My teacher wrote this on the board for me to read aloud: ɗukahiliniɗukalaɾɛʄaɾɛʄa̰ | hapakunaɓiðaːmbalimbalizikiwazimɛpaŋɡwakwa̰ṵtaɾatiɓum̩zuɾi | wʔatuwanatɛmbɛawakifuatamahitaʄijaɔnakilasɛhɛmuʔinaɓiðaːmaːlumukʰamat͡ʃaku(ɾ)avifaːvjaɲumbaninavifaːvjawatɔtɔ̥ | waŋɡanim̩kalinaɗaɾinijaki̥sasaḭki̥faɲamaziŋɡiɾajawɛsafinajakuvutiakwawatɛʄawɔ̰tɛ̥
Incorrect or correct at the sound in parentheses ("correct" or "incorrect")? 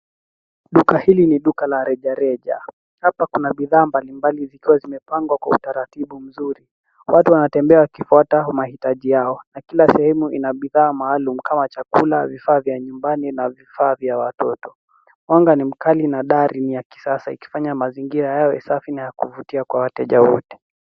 incorrect